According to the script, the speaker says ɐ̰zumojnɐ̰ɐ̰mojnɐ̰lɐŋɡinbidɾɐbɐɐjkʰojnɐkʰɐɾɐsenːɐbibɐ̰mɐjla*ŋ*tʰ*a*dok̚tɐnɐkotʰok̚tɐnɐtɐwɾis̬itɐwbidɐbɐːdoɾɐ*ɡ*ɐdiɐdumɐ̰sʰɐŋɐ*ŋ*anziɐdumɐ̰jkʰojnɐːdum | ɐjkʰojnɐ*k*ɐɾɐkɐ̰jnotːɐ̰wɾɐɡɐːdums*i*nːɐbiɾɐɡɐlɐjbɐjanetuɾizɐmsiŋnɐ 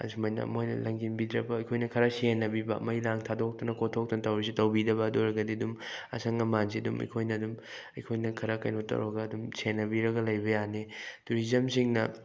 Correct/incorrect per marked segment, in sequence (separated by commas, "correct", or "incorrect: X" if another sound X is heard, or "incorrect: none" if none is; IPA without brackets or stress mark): correct, correct, correct, incorrect: m, incorrect: kʰ, incorrect: e